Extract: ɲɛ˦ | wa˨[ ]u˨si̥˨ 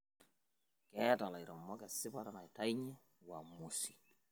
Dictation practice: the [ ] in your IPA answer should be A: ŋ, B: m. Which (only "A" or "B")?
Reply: B